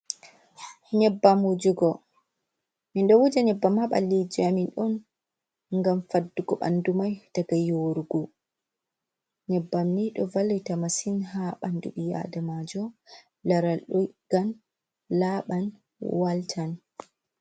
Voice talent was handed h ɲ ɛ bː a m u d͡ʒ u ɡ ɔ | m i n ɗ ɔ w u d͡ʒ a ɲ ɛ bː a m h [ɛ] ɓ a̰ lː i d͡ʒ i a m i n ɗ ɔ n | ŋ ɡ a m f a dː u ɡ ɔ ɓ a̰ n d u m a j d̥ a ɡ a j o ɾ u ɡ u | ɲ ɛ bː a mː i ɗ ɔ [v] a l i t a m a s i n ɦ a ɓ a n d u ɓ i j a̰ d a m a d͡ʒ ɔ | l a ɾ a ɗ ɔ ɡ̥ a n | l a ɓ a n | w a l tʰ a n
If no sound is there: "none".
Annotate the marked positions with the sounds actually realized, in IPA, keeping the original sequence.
a, v

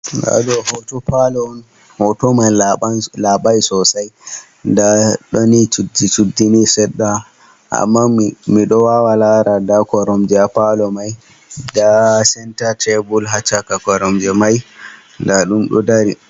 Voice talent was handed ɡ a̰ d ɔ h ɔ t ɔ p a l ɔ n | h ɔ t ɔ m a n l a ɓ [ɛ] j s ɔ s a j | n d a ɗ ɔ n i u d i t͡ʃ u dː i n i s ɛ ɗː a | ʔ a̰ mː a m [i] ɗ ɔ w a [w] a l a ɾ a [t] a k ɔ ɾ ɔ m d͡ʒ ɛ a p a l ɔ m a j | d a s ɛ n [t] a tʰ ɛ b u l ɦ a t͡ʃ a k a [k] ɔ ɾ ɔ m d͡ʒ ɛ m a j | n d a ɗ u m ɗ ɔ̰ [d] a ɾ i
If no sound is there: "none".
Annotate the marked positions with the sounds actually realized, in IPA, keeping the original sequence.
a, i, w, d, t, k, d

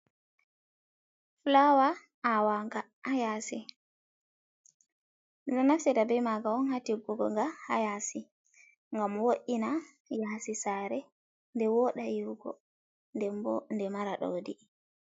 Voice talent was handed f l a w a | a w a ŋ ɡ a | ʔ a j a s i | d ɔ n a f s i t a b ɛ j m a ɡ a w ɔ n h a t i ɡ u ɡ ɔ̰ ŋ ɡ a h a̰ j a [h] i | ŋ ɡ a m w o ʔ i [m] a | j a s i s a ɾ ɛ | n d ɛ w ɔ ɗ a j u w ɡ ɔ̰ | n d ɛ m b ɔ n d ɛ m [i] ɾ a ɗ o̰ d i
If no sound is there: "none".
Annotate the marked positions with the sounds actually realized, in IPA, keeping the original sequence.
s, n, a

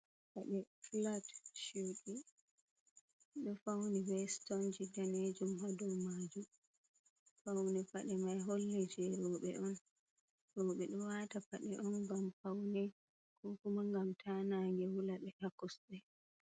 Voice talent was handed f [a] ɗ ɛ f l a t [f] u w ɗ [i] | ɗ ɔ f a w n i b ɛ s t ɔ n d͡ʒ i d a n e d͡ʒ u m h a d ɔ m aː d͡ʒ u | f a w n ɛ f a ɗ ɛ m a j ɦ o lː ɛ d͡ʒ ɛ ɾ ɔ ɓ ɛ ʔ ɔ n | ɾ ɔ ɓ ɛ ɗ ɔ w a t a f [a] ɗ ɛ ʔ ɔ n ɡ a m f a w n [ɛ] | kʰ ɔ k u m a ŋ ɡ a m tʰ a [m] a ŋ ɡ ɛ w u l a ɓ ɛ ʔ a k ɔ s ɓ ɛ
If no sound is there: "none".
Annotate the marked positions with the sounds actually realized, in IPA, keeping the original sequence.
a, ʃ, i, a, ɛ, n

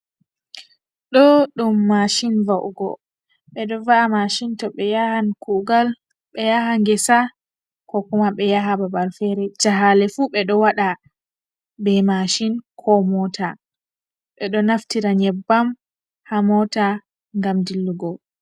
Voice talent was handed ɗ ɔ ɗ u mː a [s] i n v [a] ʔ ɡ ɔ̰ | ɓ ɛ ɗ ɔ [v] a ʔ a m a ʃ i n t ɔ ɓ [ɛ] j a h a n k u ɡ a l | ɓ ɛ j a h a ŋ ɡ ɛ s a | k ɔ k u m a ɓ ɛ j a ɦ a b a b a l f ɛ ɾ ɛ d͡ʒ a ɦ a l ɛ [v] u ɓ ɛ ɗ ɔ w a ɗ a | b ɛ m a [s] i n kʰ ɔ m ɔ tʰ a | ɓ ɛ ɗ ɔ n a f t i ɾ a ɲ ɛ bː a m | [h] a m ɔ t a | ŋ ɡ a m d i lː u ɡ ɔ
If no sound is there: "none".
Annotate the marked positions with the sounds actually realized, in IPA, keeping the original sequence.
ʃ, a, v, ɛ, f, ʃ, h

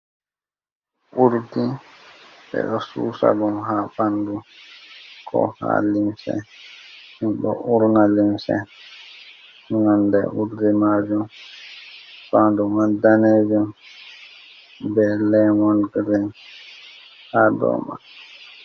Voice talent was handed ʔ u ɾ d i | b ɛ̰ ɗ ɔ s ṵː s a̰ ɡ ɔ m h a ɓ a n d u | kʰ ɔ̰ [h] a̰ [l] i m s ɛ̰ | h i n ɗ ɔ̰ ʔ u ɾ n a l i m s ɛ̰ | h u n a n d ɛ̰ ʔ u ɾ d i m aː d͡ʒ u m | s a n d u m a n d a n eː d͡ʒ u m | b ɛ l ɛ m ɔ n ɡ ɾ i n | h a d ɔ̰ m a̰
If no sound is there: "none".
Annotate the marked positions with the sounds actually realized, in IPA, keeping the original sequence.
h, l

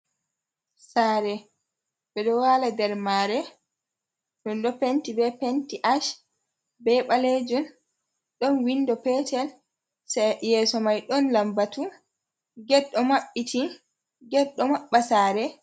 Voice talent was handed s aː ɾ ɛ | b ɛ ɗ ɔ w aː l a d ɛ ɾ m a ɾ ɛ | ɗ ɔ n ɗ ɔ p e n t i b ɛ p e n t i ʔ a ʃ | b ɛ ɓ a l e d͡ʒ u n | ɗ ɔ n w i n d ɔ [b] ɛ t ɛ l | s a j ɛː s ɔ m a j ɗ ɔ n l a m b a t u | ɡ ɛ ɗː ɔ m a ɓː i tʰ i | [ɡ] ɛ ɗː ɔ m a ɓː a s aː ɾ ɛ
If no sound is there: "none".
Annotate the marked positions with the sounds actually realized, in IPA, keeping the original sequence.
p, ɡ

